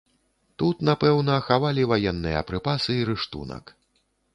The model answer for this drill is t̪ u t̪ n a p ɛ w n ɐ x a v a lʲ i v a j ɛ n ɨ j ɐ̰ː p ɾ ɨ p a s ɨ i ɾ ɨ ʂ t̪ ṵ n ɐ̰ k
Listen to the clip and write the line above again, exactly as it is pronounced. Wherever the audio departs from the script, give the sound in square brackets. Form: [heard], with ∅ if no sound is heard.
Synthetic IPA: t̪ u t̪ n a p ɛ w n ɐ x a v a lʲ i v a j ɛ [nː] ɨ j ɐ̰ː p ɾ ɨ p a s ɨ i ɾ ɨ ʂ t̪ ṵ n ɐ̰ k